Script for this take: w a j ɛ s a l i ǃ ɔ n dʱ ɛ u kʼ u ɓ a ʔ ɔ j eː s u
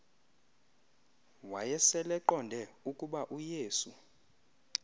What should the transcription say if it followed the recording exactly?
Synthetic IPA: w a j ɛ s ɛ l ɛ ǃ ɔ n dʱ ɛ u kʼ u ɓ a ʔ u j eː s u